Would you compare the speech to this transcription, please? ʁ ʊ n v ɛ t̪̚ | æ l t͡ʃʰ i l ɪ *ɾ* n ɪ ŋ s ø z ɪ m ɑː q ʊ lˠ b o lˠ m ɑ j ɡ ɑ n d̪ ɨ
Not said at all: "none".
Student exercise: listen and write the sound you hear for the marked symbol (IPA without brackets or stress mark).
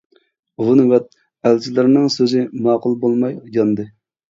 ɾ